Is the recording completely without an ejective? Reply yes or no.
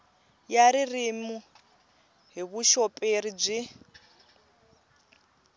no